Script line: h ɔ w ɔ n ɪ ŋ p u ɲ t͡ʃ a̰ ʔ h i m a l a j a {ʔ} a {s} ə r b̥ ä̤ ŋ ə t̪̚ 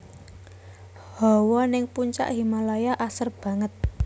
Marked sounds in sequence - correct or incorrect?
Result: correct, correct

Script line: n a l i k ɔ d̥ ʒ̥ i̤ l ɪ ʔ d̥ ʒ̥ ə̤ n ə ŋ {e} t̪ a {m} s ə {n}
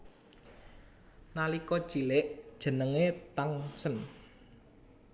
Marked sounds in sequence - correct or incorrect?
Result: correct, incorrect, correct

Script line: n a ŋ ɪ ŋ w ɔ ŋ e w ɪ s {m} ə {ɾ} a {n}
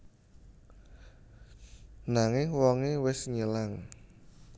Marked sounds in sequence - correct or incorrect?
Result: incorrect, incorrect, incorrect

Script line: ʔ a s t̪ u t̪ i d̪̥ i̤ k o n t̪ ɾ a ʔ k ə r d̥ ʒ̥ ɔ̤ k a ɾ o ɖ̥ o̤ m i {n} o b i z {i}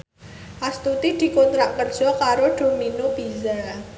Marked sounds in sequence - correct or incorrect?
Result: correct, incorrect

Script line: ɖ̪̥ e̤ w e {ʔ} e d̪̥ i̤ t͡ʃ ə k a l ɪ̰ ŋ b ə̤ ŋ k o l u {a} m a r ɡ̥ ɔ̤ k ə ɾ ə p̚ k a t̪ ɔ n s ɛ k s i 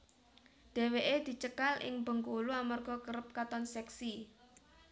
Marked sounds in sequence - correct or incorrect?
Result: correct, correct

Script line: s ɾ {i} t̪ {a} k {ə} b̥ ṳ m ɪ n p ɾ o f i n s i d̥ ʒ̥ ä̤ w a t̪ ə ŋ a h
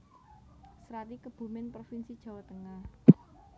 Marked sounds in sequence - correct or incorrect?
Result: incorrect, incorrect, correct

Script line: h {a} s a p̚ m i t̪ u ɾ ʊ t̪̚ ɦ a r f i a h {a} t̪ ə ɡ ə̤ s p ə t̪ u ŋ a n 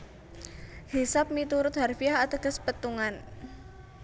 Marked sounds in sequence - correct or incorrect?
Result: incorrect, correct

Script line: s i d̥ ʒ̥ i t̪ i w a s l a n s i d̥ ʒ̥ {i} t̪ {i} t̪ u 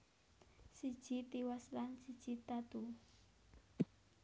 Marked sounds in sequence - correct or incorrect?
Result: correct, incorrect

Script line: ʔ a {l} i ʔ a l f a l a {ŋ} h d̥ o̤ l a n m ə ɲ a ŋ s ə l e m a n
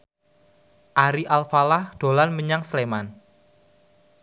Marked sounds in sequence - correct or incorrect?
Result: incorrect, incorrect

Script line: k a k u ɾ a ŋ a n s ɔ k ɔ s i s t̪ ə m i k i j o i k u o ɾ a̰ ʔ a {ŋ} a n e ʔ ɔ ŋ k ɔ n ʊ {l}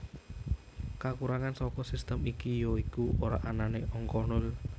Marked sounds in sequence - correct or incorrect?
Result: incorrect, correct

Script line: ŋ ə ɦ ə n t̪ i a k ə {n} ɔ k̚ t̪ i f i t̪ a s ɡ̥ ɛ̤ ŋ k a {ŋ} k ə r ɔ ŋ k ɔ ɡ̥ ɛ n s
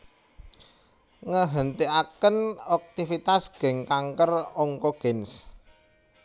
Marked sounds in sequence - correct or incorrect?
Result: correct, correct

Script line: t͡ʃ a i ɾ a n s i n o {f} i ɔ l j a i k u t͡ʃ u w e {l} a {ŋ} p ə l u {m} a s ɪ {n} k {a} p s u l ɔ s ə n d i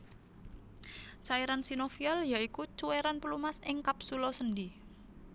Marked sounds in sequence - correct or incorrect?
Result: correct, incorrect, incorrect, correct, incorrect, correct

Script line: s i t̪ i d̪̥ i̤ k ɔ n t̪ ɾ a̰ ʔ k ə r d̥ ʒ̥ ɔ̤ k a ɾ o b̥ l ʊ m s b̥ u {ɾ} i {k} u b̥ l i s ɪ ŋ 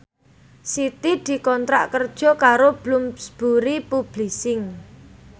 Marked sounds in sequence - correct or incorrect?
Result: correct, incorrect

